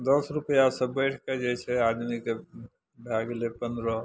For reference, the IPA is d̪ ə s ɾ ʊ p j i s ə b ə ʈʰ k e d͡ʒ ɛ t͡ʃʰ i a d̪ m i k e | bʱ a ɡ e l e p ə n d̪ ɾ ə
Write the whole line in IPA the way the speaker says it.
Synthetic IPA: d̪ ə s ɾ u p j a s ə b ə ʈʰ k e d͡ʒ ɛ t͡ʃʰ ɛ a d̪ m i k e | bʱ a ɡ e l e p ə n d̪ ɾ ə